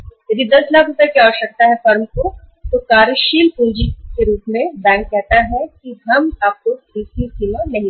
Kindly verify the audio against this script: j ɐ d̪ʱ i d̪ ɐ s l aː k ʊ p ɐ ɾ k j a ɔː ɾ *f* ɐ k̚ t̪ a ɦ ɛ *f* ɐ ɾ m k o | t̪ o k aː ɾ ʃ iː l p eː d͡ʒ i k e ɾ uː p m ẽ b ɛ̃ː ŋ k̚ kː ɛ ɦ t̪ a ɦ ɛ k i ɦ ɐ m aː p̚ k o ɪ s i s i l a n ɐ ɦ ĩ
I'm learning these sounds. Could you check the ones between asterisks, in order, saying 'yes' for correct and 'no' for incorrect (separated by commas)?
no, yes